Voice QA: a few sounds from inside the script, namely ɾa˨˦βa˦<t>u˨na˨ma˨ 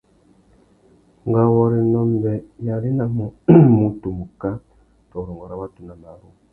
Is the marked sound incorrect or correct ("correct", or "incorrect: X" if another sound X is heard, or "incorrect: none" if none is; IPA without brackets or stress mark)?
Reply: correct